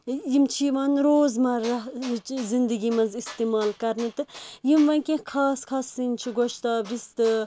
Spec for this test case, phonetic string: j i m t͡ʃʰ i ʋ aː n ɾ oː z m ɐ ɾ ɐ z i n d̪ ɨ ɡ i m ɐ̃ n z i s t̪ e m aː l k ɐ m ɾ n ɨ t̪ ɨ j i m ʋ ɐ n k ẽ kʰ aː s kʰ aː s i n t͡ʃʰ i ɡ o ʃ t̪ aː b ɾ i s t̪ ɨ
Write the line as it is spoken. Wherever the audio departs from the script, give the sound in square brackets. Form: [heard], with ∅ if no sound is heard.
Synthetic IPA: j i m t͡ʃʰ i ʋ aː n ɾ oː z m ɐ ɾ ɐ z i n d̪ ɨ ɡ i m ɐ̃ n z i s t̪ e m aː l k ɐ [∅] ɾ n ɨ t̪ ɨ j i m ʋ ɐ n k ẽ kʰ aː s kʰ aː s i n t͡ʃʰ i ɡ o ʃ t̪ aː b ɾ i s t̪ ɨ